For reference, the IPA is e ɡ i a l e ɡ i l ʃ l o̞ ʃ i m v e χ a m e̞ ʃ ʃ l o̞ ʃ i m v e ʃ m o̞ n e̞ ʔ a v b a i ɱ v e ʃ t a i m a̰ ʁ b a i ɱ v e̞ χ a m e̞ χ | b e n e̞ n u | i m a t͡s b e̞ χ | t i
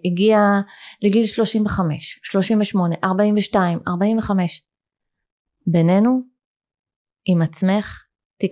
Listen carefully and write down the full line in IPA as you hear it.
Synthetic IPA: i ɡ i a l e ɡ i l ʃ l o̞ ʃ i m v e χ a m e̞ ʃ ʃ l o̞ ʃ i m v e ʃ m o̞ n e̞ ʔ a ʁ b a i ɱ v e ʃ t a i m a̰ ʁ b a i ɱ v e̞ χ a m e̞ ʃ | b e n e̞ n u | i m a t͡s m e̞ χ | t i